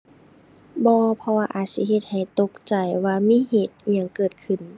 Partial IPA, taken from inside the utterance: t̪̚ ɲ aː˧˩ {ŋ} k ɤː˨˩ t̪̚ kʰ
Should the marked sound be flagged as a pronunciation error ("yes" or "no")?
no